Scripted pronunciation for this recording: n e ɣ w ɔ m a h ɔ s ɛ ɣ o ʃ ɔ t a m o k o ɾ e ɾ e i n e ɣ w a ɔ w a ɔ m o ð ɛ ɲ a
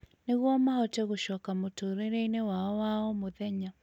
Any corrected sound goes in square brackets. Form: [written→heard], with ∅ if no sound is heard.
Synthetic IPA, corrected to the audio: n e ɣ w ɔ m a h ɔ [s→t] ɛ ɣ o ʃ ɔ [t→k] a m o [k→t] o ɾ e ɾ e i n e [ɣ→∅] w a ɔ w a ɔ m o ð ɛ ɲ a